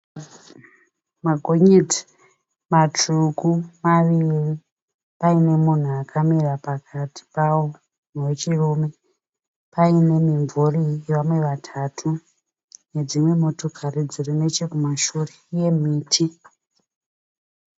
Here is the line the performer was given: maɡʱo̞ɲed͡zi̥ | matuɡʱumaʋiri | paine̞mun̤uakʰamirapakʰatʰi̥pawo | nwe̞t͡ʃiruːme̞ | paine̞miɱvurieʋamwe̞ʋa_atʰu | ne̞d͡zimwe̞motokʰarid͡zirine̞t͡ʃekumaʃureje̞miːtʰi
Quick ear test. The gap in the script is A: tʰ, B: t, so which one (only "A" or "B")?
A